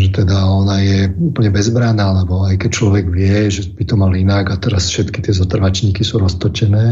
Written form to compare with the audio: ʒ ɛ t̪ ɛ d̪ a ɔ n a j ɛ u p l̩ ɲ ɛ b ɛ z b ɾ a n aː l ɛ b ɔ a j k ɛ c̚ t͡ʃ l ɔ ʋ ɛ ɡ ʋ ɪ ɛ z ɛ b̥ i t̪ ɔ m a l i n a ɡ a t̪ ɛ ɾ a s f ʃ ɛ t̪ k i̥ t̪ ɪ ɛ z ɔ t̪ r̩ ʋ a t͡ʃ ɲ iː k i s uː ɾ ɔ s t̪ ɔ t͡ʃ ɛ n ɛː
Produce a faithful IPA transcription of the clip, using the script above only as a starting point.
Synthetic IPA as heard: ʒ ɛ t̪ ɛ d̪ a ɔ n a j ɛ u p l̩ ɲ ɛ b ɛ z b ɾ a n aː l ɛ b ɔ a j k ɛ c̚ t͡ʃ l ɔ ʋ ɛ ɡ ʋ ɪ ɛ ʒ ɛ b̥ i t̪ ɔ m a l i n a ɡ a t̪ ɛ ɾ a s f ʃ ɛ t̪ k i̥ t̪ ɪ ɛ z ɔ t̪ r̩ ʋ a t͡ʃ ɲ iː k i s uː ɾ ɔ s t̪ ɔ t͡ʃ ɛ n ɛː